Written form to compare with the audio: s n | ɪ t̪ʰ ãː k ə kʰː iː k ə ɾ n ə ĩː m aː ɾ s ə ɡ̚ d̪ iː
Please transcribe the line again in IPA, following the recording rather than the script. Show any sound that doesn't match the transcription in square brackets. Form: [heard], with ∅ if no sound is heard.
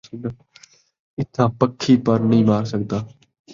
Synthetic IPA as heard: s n | ɪ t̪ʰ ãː [p] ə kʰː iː [p] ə ɾ n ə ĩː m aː ɾ s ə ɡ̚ d̪ [aː]